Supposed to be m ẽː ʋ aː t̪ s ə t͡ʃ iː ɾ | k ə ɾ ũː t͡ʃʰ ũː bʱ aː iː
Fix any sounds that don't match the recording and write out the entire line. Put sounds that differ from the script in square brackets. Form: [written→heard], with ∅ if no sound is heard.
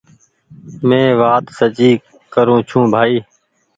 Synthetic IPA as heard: m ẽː ʋ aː t̪ s ə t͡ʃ iː [ɾ→∅] | k ə ɾ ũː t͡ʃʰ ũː bʱ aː iː